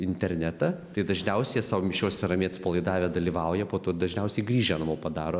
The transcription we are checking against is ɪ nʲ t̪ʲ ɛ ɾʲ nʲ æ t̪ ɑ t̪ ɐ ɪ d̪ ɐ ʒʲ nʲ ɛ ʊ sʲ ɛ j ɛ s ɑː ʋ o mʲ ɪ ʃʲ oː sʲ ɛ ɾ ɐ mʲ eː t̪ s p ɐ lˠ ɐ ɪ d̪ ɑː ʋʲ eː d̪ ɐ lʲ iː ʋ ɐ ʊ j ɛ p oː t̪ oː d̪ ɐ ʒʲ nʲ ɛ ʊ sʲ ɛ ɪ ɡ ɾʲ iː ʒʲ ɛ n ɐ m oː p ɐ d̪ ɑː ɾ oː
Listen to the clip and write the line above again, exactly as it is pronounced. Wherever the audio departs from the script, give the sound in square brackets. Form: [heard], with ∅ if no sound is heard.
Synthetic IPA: ɪ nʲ t̪ʲ ɛ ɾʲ nʲ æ t̪ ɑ t̪ ɐ ɪ d̪ ɐ ʒʲ nʲ ɛ ʊ sʲ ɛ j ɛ s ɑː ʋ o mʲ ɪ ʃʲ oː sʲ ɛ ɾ ɐ mʲ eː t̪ s p ɐ lˠ ɐ ɪ d̪ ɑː ʋʲ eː d̪ ɐ lʲ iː ʋ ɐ ʊ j ɛ p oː t̪ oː d̪ ɐ ʒʲ nʲ ɛ ʊ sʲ ɛ ɪ ɡ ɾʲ iː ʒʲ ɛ n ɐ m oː p ɐ d̪ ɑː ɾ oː